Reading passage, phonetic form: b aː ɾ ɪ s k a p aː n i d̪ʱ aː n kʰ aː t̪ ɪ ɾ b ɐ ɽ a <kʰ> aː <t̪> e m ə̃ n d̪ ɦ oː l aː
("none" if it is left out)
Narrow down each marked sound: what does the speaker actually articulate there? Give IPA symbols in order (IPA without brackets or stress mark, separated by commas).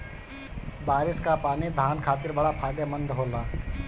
pʰ, d̪